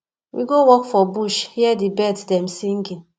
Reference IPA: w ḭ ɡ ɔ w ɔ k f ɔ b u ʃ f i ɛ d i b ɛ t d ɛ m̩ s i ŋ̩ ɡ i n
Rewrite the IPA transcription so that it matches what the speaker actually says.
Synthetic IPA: w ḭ ɡ o w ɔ k f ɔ b u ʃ h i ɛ d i b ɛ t d ɛ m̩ s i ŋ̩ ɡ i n